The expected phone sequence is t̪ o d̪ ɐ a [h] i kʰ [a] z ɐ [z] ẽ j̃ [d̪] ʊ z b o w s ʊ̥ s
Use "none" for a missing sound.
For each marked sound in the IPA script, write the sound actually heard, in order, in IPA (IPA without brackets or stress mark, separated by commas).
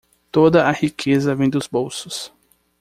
h, e, v, d̪